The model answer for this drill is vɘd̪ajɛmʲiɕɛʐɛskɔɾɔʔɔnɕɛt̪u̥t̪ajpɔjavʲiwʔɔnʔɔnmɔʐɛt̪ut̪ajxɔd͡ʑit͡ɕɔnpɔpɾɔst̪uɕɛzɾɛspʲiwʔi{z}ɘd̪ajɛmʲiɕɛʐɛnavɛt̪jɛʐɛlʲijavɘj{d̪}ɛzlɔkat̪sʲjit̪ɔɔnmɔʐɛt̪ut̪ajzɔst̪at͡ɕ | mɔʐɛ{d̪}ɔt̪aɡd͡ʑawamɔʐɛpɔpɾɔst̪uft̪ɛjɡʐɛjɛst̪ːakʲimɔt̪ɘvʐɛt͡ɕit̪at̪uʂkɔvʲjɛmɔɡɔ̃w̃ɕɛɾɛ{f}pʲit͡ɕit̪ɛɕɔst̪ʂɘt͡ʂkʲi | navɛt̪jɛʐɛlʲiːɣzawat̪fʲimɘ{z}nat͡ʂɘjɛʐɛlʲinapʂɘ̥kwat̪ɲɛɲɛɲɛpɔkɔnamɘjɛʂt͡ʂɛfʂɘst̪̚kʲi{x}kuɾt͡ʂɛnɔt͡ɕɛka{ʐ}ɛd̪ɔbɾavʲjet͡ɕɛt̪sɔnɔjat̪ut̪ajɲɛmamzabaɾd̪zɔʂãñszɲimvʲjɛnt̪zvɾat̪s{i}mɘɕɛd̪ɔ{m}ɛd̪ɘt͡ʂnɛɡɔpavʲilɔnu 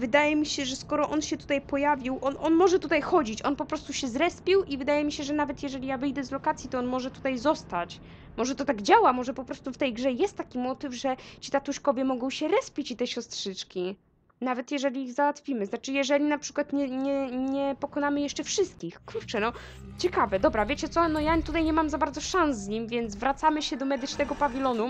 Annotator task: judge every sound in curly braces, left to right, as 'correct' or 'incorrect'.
incorrect: v, correct, incorrect: t̪, incorrect: s, correct, correct, incorrect: v, incorrect: a, correct

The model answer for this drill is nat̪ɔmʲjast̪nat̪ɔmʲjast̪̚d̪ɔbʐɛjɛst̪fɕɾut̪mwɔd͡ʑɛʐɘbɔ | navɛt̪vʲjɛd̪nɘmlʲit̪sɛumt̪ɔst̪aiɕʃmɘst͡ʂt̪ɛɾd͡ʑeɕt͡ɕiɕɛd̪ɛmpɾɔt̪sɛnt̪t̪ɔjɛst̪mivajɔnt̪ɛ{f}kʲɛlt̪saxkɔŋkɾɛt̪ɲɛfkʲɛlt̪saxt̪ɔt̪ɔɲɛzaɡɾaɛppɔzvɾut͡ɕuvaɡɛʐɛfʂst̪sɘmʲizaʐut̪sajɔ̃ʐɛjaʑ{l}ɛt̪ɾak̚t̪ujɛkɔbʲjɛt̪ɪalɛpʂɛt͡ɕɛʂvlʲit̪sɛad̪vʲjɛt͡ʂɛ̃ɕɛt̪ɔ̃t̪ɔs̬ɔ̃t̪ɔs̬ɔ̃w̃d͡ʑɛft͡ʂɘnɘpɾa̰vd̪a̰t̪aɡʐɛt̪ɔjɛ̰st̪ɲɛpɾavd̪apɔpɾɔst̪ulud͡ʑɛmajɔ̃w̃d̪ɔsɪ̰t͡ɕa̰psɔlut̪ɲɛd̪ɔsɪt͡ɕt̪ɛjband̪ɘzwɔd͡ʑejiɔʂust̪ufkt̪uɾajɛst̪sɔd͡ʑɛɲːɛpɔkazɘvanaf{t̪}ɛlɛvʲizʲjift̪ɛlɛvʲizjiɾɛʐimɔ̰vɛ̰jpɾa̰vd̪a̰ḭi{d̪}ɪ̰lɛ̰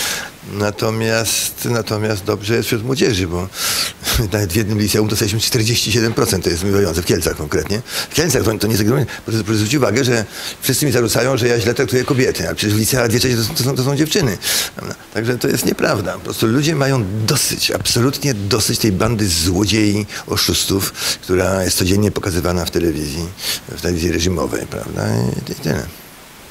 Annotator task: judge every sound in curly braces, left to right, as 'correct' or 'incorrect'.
correct, correct, correct, incorrect: t̪

